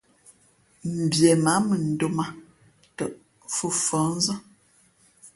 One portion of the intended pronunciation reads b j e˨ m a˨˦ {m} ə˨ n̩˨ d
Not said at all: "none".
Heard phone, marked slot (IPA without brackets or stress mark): m